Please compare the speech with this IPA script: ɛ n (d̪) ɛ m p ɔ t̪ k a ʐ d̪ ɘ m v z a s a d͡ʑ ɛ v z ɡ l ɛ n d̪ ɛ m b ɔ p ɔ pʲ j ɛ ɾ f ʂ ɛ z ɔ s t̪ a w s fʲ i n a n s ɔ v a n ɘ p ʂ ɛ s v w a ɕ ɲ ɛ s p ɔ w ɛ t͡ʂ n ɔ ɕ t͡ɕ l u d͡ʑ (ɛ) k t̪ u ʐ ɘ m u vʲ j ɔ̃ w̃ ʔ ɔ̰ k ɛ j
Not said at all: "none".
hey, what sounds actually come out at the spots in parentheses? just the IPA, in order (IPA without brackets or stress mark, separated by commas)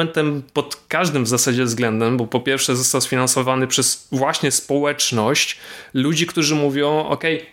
t̪, i